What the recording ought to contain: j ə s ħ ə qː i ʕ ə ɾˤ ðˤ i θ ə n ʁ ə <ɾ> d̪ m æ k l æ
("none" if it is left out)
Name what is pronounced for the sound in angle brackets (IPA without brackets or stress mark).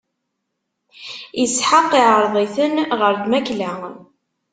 ɾ